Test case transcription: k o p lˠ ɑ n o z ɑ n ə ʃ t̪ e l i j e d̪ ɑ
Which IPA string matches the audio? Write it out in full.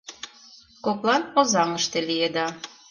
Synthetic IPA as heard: k o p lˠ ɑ n o z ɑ ŋ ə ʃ t̪ e l i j e d̪ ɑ

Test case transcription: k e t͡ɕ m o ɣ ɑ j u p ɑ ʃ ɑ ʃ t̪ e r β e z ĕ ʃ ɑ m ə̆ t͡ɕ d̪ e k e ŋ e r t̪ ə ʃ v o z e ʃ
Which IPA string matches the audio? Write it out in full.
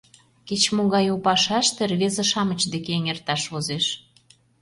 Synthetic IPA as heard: k e t͡ɕ m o ɣ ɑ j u p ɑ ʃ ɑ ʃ t̪ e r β e z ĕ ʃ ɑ m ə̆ t͡ɕ d̪ e k e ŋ e r t̪ ɑ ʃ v o z e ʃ

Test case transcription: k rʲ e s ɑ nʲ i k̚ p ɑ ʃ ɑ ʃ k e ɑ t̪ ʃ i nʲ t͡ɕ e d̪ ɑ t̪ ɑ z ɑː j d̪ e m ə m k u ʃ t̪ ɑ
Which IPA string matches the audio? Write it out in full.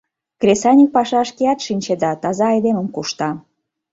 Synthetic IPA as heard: k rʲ e s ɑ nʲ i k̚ p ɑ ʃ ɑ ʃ k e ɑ t̪ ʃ i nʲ t͡ɕ e d̪ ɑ t̪ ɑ z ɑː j d̪ e m ə m k u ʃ t̪ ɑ

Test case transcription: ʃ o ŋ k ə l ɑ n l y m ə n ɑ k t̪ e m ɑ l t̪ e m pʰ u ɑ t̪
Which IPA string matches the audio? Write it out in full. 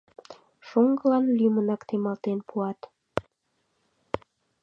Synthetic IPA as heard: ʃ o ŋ ɡ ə l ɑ n l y m ə n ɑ k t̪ e m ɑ l t̪ e n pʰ u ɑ t̪

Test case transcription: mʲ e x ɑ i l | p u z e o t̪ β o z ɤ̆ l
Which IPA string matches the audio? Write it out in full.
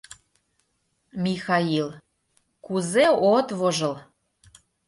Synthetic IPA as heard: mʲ i x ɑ i l | k u z e o t̪ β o ʒ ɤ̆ l

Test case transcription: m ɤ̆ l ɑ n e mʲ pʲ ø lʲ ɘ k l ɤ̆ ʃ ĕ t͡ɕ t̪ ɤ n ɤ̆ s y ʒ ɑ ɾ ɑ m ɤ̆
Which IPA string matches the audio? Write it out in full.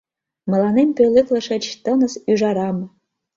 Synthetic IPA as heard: m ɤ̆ l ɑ n e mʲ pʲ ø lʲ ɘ k l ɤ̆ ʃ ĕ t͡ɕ t̪ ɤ n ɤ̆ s y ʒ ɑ ɾ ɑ m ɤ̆

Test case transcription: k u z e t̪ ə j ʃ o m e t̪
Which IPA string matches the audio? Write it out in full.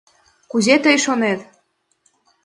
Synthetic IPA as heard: k u z e t̪ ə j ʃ o n e t̪

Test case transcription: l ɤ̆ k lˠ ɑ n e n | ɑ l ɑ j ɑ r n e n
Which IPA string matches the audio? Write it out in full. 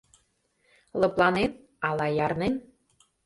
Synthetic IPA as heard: l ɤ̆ p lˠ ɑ n e n | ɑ l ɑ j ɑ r n e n

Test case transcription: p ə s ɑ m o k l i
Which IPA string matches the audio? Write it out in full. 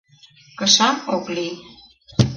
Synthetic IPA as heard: k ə ʃ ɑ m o k l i

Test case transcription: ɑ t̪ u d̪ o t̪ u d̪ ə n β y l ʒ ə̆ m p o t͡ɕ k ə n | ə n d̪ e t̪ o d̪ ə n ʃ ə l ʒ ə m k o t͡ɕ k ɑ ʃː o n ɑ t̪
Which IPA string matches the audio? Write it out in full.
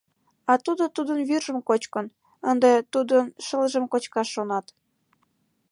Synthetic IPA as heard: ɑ t̪ u d̪ o t̪ u d̪ ə n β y r ʒ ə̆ m k o t͡ɕ k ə n | ə n d̪ e t̪ u d̪ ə n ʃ ə l ʒ ə m k o t͡ɕ k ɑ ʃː o n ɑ t̪

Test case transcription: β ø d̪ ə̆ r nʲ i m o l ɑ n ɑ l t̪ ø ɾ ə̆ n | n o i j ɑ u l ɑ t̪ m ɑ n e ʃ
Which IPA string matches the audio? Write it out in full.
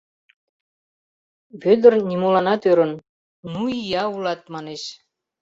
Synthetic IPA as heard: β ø d̪ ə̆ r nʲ i m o l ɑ n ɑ t̪ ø ɾ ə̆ n | n u i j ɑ u l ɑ t̪ m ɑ n e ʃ

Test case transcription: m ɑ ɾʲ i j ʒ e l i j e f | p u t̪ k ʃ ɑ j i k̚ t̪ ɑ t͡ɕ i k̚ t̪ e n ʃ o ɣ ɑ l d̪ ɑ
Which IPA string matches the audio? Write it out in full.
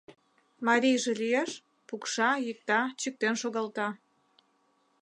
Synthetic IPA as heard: m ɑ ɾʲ i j ʒ e l i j e ʃ | p u k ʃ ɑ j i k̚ t̪ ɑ t͡ɕ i k̚ t̪ e n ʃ o ɣ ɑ l t̪ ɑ

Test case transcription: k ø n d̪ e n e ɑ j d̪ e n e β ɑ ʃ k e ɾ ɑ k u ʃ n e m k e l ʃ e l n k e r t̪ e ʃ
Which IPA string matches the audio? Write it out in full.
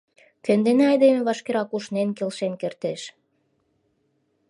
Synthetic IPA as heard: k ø n d̪ e n e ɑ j d̪ e m e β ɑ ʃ k e ɾ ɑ k u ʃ n e n k e l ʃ e n k e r t̪ e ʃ

